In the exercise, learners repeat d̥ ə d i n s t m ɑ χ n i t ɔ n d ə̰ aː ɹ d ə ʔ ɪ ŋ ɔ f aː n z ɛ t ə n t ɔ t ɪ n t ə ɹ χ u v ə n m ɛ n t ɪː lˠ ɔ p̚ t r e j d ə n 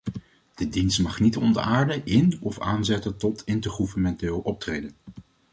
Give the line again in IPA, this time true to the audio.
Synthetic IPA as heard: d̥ ə d i n s t m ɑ χ n i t ɔ n d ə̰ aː ɹ d ə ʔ ɪ n ɔ f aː n z ɛ t ə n t ɔ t ɪ n t ə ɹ χ u v ə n m ɛ n t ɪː lˠ ɔ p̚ t r e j d ə n